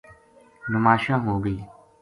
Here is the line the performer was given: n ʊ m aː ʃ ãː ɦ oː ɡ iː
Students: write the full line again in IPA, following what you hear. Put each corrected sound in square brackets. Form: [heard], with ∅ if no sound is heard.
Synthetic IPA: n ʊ m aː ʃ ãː ɦ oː ɡ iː